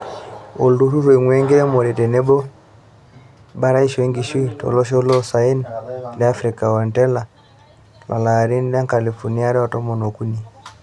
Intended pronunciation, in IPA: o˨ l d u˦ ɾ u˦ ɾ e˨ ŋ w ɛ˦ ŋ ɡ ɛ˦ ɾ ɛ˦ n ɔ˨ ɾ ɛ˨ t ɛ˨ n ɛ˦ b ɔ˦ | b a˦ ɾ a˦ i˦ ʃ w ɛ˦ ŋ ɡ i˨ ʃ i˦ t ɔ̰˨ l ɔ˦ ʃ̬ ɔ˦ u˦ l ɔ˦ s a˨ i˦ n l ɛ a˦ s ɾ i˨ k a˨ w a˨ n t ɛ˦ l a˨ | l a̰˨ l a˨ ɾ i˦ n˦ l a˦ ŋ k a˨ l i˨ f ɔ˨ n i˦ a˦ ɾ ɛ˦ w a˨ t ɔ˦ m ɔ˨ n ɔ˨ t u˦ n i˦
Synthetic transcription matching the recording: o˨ l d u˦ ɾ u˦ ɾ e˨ ŋ w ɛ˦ ŋ ɡ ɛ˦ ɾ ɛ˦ m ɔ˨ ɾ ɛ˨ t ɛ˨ n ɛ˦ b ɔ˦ | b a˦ ɾ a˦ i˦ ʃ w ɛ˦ ŋ ɡ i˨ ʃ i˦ t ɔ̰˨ l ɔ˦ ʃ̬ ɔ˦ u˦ l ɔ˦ s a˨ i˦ n l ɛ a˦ f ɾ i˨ k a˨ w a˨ n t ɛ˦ l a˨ | l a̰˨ l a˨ ɾ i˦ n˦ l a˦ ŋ k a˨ l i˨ f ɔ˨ n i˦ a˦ ɾ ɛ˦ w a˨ t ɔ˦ m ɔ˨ n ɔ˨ k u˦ n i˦